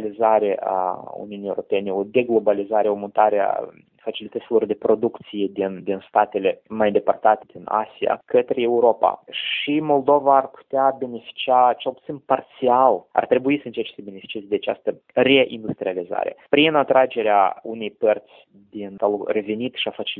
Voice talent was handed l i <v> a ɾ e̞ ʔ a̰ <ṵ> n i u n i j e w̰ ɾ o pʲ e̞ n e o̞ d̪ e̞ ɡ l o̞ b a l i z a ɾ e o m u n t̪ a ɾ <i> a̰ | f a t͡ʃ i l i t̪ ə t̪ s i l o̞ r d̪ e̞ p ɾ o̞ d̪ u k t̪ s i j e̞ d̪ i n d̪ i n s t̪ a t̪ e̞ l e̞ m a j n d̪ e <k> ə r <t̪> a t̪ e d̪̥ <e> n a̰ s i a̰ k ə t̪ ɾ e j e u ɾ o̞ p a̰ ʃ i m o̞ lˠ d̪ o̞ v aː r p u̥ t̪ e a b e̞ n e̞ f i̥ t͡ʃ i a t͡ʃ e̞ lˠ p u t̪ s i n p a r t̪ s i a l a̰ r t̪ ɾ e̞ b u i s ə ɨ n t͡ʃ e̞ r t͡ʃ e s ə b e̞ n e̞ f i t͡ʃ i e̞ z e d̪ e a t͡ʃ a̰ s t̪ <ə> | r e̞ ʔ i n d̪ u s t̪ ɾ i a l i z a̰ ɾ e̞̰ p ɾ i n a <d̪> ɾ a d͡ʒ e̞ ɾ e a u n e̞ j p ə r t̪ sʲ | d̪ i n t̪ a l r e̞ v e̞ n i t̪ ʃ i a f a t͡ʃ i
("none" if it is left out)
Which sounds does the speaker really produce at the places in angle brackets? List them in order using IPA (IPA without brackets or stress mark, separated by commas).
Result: z, ṵ, e, p, t̪, i, ə, t̪